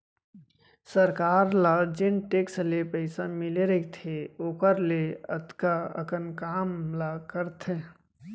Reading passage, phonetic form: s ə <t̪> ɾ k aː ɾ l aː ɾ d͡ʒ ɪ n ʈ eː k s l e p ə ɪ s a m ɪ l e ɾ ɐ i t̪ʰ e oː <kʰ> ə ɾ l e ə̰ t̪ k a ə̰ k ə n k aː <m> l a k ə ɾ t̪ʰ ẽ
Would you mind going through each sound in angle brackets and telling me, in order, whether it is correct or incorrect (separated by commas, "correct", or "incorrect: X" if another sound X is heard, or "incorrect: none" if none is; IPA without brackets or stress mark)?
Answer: incorrect: none, incorrect: k, correct